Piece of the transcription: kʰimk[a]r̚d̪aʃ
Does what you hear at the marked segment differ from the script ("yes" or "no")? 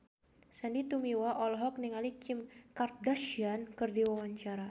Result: no